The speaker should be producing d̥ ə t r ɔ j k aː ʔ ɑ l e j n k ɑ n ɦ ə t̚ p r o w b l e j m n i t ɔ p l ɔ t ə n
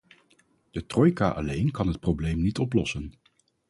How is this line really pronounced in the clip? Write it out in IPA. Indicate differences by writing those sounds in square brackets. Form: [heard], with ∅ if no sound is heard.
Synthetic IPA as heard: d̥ ə t r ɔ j k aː ʔ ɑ l e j n k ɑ n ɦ ə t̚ p r o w b l e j m n i t ɔ p l ɔ [s] ə n

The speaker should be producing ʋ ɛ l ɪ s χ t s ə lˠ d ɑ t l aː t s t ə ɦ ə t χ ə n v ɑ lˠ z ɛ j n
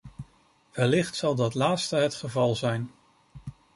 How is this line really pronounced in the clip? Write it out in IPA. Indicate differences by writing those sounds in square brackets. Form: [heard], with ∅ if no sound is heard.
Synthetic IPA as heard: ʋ ɛ l ɪ [∅] χ t s [ɑ] lˠ d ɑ t l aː t s t ə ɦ ə t χ ə [∅] v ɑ lˠ z ɛ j n

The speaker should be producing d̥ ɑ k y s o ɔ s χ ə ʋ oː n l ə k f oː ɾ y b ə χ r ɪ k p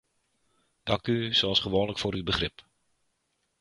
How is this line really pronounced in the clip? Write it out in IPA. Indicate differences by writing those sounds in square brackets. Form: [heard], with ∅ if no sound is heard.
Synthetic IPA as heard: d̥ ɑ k y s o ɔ s χ ə ʋ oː n l ə k f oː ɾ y b ə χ r ɪ [∅] p

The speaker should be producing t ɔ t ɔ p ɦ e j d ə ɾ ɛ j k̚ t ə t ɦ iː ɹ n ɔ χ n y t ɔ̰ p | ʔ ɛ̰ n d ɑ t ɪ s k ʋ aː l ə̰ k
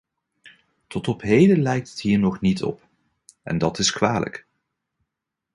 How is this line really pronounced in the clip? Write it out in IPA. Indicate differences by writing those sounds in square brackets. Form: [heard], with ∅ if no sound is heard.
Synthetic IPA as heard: t ɔ t ɔ p ɦ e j d ə [l] ɛ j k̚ t ə t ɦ iː ɹ n ɔ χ n [i] t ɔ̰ p | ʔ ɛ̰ n d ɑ t ɪ s k ʋ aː l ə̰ k

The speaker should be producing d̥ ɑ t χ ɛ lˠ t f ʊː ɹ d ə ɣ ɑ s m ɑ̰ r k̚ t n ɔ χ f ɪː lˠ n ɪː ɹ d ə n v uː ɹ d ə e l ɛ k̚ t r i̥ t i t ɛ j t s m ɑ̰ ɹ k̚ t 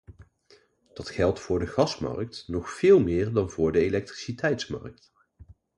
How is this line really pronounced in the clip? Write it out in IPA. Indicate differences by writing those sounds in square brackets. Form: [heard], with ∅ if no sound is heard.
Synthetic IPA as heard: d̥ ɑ t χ ɛ lˠ t f ʊː ɹ d ə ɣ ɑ s m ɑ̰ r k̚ t n ɔ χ f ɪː lˠ [m] ɪː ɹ d [ɑ] n v [ʊː] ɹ d ə e l ɛ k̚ t r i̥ [s] i t ɛ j t s m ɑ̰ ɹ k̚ t

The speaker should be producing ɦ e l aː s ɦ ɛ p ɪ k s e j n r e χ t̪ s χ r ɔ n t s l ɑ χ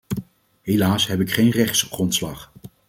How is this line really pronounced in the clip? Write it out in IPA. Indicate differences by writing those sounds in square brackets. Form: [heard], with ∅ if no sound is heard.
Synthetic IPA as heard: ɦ e l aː s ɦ ɛ p ɪ k [χ] e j n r [ɛ] χ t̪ s χ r ɔ n t s l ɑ χ

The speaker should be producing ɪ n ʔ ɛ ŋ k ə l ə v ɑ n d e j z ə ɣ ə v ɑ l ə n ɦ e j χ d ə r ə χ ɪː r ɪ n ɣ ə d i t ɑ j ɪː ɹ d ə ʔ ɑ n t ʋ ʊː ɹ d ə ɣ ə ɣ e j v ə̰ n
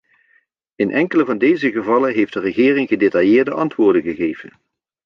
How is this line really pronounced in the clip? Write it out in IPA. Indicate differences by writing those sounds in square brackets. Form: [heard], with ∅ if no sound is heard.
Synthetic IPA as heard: ɪ n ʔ ɛ ŋ k ə l ə v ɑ n d e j z ə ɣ ə v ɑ l ə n ɦ e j [f] d ə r ə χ ɪː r ɪ [ŋ] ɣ ə d [e] t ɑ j ɪː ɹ d ə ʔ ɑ n t ʋ ʊː ɹ d ə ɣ ə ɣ e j v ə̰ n

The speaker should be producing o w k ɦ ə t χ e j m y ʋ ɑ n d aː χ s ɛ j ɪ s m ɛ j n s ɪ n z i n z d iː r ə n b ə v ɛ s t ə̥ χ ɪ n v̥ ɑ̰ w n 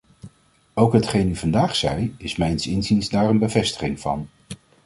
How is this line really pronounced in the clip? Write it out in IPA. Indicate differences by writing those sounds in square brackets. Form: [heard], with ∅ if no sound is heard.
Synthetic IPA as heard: o w k ɦ ə t χ e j [n] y [v] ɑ n d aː χ s ɛ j ɪ s m ɛ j n s ɪ n z i n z d [aː] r ə n b ə v ɛ s t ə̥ χ ɪ [ŋ] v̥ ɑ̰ [∅] n

